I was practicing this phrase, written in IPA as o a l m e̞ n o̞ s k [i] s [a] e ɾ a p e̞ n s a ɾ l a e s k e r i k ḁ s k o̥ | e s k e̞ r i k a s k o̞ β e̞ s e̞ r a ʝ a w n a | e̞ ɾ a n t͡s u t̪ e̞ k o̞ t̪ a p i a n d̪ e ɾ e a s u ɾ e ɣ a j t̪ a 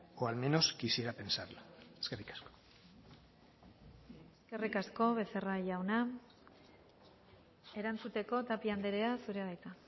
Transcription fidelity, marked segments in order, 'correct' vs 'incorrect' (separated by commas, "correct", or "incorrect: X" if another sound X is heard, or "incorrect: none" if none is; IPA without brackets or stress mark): correct, incorrect: i